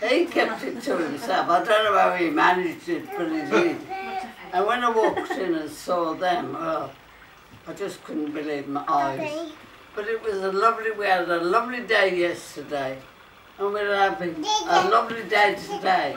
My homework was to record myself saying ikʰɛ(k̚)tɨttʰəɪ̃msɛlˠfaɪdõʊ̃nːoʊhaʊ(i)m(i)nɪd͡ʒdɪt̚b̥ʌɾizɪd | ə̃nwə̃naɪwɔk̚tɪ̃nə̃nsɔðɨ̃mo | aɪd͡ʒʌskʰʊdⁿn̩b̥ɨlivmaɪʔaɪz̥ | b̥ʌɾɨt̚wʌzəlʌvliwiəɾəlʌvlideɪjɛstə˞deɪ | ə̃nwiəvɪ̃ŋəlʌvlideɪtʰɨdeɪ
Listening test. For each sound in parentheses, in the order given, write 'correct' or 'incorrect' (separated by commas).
incorrect, correct, incorrect